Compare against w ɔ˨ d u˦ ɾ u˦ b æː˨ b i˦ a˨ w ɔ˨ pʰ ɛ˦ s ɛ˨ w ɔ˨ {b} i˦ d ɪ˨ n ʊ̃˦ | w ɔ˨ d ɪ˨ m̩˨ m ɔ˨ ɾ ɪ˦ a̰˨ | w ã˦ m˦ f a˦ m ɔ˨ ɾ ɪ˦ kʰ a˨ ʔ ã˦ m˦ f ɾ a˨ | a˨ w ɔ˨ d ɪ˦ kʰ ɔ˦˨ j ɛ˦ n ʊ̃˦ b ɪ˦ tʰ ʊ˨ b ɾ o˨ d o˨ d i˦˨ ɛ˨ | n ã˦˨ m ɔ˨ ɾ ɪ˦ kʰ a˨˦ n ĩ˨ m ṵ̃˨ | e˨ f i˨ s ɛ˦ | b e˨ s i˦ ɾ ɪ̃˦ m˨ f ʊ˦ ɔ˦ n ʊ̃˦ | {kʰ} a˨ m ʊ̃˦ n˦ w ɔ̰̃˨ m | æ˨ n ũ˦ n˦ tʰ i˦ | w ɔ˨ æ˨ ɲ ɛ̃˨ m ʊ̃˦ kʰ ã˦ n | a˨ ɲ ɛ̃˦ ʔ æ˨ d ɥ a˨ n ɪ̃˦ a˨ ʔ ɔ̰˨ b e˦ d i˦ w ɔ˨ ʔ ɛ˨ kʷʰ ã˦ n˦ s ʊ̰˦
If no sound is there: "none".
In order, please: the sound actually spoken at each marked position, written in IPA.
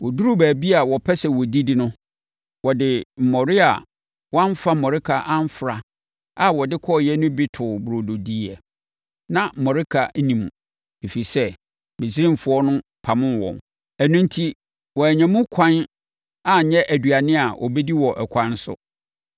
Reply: d, pʰ

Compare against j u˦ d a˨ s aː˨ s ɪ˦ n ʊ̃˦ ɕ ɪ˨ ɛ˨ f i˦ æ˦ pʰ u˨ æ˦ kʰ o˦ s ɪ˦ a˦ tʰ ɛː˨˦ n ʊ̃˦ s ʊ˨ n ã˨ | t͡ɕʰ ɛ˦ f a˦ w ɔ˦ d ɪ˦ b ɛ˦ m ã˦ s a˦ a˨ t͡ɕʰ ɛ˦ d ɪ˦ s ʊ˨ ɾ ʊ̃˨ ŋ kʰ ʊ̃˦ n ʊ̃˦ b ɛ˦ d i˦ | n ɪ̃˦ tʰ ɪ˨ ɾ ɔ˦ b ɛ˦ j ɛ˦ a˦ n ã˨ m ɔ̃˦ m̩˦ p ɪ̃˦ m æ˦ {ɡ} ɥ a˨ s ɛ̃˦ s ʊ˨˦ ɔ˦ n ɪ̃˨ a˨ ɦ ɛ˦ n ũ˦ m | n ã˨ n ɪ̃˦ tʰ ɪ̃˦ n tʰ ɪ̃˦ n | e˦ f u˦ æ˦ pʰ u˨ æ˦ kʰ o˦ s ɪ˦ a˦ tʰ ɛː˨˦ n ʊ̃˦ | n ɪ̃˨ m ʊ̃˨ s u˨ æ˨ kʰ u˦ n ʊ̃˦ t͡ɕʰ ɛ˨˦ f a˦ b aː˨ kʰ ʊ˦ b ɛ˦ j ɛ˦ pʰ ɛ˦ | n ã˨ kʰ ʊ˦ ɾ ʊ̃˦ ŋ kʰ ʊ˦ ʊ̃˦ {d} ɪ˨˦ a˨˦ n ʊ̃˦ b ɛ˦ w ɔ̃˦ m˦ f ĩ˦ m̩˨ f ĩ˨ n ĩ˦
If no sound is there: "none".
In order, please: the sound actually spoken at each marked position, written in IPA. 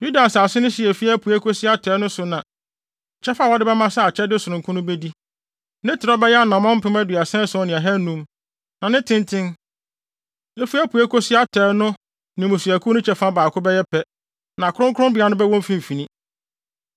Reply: d, b

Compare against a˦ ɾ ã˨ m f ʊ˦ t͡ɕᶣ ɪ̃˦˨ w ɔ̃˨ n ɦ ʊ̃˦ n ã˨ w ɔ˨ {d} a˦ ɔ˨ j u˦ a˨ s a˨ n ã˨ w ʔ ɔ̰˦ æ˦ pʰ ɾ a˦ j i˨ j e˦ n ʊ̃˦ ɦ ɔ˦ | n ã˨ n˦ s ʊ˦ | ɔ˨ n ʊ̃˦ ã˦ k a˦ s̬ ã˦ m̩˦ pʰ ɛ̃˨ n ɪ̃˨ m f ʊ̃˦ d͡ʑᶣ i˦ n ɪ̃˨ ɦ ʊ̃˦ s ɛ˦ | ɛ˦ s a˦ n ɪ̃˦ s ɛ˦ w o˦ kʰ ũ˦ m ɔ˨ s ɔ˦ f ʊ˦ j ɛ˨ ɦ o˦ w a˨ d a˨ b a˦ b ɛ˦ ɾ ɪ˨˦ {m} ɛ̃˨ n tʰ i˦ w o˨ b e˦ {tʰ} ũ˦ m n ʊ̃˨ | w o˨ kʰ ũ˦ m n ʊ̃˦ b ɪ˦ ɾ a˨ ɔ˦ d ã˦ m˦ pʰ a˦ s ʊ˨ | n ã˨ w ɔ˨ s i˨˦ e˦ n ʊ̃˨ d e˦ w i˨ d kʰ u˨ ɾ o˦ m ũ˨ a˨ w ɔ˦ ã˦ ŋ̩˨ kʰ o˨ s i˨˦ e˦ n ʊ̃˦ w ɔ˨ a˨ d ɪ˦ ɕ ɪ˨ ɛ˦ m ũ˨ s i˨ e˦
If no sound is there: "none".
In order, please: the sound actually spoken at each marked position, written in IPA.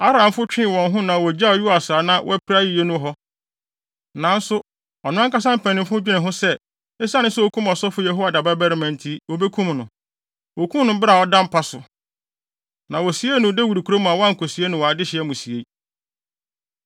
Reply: d͡ʑ, m, kʰ

